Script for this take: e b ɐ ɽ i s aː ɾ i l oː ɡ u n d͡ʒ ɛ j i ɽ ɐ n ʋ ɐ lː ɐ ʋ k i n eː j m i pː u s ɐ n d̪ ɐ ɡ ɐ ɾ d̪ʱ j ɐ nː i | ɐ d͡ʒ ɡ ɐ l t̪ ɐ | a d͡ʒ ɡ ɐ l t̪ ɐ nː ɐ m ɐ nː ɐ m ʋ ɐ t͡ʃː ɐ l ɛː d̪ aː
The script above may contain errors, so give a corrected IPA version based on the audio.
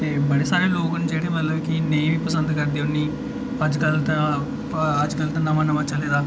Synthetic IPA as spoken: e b ɐ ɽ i s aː ɾ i l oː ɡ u n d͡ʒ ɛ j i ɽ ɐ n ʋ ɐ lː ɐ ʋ k i n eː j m i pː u s ɐ n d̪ ɐ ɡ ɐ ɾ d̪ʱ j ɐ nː i | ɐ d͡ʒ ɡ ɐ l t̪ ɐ | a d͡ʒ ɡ ɐ l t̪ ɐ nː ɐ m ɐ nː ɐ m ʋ ɐ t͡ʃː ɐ l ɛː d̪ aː